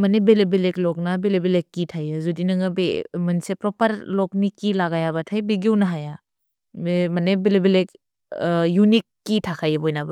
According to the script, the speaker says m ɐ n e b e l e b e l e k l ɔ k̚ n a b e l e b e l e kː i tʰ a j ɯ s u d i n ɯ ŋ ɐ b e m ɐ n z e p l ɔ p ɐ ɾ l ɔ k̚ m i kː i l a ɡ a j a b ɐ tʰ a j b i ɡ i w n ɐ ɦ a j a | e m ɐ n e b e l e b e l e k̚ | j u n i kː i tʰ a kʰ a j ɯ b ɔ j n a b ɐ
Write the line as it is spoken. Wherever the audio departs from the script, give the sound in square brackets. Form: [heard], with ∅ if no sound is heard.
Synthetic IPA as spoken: m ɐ n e b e l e b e l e k l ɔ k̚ n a b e l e b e l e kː i tʰ a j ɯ [z] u d i n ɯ ŋ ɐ b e m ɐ n [s] e p [ɾ] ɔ p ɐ ɾ l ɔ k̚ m i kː i l a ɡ a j a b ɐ tʰ a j b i ɡ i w n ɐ ɦ a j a | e m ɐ n e b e l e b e l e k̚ | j u n i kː i tʰ a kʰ a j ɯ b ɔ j n a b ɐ